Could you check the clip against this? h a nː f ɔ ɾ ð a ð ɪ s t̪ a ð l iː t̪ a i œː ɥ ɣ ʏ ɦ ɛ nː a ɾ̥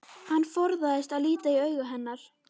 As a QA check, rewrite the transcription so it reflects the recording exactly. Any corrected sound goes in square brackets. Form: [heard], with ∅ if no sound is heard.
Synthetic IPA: h a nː f ɔ ɾ ð a ð ɪ s t̪ a ð l iː t̪ a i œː ɥ ɣ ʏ ɦ ɛ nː a ɾ̥